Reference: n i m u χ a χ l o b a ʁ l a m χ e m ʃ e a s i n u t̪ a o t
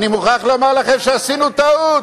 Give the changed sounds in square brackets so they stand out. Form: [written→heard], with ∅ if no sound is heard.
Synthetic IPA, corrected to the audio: n i m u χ a χ l o [b→m] a ʁ l a [m→∅] χ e m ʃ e a s i n u t̪ a [o→u] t